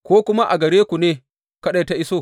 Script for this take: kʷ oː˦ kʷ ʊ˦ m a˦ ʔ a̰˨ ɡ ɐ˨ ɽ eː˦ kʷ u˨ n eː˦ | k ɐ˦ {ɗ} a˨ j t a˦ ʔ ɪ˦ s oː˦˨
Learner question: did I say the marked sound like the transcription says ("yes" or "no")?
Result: yes